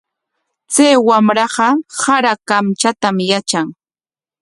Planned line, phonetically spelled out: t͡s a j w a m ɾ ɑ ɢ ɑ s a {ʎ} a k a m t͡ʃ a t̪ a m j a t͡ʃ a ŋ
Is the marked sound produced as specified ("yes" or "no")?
no